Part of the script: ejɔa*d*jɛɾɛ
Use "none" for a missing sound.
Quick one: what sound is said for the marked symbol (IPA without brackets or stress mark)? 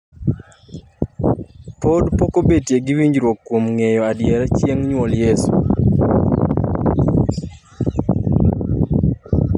d